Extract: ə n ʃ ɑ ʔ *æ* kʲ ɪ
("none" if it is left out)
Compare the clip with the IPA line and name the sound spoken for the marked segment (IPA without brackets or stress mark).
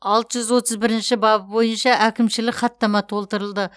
æ